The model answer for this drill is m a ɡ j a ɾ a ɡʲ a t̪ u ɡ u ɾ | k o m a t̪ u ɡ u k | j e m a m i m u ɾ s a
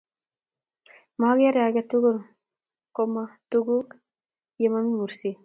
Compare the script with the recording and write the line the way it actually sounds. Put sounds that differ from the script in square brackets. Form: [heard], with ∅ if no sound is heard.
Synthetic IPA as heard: m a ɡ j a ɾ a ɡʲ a t̪ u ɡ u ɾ | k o m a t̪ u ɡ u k | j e m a m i m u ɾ s [i]

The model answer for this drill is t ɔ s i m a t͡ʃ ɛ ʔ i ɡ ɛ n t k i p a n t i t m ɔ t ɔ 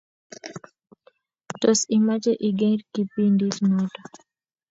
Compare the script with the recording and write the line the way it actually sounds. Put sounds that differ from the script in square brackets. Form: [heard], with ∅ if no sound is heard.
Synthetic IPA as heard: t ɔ s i m a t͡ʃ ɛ ʔ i ɡ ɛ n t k i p [i] n [d] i [s] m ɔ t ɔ

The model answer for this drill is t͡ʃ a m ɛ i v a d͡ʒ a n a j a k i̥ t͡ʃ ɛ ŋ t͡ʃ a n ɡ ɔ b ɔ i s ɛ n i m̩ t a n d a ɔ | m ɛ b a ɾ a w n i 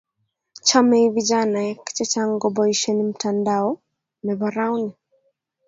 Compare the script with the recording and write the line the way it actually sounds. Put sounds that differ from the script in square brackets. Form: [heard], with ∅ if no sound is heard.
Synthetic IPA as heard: t͡ʃ a m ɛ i v [i] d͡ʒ a n a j a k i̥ t͡ʃ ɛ [∅] t͡ʃ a [ŋ] ɡ ɔ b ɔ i [ʃ] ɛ n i m̩ t a n d a ɔ | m ɛ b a ɾ a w n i

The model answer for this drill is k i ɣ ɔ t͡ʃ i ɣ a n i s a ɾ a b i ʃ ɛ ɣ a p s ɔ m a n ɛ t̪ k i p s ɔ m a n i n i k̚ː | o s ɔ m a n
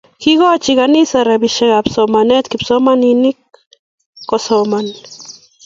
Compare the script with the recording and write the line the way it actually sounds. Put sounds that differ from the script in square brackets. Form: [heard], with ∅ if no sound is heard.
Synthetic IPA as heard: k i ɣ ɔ t͡ʃ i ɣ a n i s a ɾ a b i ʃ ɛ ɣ a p s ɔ m a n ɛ t̪ k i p s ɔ m a n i n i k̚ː | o s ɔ m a n

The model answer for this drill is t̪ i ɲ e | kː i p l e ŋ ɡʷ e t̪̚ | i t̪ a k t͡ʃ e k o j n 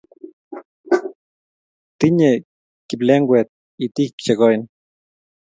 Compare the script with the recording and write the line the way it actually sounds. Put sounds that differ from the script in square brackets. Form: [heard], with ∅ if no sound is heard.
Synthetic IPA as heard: t̪ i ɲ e | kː i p l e ŋ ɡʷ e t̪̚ | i t̪ [i] k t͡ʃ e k o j n

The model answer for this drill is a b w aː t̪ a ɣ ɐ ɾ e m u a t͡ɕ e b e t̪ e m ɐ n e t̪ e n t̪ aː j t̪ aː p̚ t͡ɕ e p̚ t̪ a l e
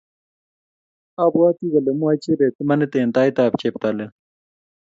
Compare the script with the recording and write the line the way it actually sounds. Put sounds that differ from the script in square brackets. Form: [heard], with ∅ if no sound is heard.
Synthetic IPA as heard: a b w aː t̪ [i] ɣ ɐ [l] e m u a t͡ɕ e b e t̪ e m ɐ n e t̪ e n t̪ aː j t̪ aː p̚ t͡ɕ e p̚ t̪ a l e

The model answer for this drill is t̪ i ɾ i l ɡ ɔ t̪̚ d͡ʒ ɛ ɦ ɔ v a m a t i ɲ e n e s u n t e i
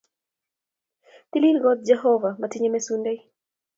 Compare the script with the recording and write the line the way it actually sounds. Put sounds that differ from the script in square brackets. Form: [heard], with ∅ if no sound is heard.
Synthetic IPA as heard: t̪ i [l] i l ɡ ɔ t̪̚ d͡ʒ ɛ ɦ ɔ v a m a t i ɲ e [m] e s u n [d] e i

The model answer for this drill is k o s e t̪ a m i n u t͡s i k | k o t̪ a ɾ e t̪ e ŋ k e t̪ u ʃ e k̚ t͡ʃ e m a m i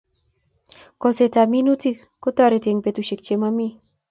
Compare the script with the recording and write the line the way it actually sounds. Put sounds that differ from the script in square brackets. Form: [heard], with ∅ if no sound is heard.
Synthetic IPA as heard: k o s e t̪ a m i n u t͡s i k | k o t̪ a ɾ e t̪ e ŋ [p] e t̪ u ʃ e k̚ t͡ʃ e m a m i

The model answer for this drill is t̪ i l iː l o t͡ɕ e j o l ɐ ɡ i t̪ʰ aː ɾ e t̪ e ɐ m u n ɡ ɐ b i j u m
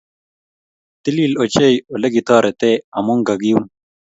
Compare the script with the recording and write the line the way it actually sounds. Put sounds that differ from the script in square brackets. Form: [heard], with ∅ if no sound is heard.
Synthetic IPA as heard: t̪ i l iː l o t͡ɕ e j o l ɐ ɡ i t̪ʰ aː ɾ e t̪ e ɐ m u [ŋ] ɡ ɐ [ɡ] i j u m

